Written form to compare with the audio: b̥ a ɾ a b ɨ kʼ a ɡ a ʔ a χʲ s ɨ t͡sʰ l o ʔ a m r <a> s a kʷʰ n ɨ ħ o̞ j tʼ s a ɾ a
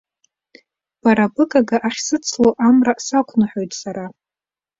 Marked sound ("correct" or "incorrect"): correct